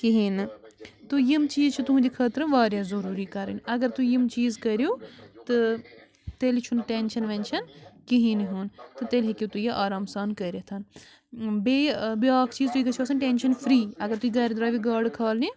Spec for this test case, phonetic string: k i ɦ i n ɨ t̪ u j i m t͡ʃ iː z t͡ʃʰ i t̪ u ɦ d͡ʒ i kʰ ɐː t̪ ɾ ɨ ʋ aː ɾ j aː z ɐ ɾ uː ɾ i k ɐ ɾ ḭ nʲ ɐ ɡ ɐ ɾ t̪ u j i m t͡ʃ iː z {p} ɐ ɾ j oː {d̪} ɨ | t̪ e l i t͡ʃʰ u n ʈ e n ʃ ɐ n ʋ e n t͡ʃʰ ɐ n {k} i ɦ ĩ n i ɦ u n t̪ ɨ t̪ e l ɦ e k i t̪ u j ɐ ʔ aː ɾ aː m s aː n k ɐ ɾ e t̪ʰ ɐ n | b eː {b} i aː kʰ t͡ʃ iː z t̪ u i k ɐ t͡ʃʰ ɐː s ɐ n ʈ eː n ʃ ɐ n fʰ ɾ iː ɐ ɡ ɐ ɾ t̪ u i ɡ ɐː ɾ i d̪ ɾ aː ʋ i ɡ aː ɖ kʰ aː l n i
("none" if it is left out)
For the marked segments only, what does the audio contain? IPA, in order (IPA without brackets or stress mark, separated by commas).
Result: k, t̪, k, b